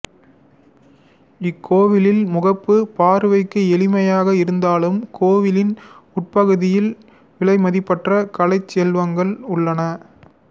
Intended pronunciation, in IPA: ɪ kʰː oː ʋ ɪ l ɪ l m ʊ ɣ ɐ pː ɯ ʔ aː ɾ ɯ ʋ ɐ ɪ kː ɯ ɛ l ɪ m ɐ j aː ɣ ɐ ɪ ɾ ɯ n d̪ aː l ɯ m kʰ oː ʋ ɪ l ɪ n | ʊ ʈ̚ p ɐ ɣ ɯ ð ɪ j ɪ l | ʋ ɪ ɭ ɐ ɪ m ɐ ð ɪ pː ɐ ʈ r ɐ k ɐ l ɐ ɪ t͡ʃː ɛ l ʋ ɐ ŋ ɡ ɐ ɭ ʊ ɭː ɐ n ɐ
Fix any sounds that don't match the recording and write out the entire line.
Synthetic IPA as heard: ɪ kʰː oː ʋ ɪ l ɪ l m ʊ ɣ ɐ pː ɯ p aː ɾ ɯ ʋ ɐ ɪ kː ɯ ɛ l ɪ m ɐ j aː ɣ ɐ ɪ ɾ ɯ n d̪ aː l ɯ m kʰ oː ʋ ɪ l ɪ n | ʊ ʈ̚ p ɐ ɣ ɯ ð ɪ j ɪ l | ʋ ɪ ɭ ɐ ɪ m ɐ ð ɪ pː ɐ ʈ r ɐ k ɐ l ɐ ɪ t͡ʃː ɛ l ʋ ɐ ŋ ɡ ɐ ɭ ʊ ɭː ɐ n ɐ